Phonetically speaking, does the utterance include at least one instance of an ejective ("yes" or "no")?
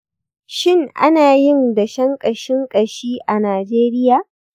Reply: yes